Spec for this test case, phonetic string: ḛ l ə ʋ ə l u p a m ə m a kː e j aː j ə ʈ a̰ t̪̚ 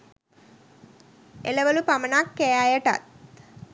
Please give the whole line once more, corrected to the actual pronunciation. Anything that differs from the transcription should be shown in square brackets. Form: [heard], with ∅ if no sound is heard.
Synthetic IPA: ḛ l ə ʋ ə l u p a m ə [n] a kː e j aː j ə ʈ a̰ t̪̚